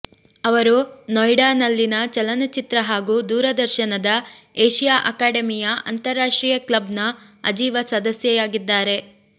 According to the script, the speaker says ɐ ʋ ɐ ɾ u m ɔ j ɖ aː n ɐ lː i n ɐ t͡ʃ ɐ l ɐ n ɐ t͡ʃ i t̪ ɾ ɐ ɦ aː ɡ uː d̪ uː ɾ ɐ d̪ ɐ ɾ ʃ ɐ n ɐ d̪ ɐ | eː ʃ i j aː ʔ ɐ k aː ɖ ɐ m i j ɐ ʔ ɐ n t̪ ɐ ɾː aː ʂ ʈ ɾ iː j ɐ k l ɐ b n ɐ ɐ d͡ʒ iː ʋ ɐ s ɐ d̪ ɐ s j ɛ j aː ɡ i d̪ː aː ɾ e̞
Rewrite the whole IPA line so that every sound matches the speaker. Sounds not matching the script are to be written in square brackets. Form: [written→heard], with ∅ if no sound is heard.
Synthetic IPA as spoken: ɐ ʋ ɐ ɾ u [m→n] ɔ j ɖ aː n ɐ lː i n ɐ t͡ʃ ɐ l ɐ n ɐ t͡ʃ i t̪ ɾ ɐ ɦ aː ɡ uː d̪ uː ɾ ɐ d̪ ɐ ɾ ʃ ɐ n ɐ d̪ ɐ | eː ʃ i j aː ʔ ɐ k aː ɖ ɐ m i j ɐ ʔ ɐ n t̪ ɐ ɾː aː ʂ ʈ ɾ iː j ɐ k l ɐ b n ɐ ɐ d͡ʒ iː ʋ ɐ s ɐ d̪ ɐ s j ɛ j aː ɡ i d̪ː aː ɾ e̞